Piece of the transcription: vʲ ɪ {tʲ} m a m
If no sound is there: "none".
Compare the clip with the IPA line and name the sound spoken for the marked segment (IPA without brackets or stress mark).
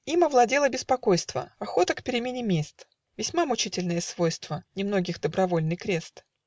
sʲ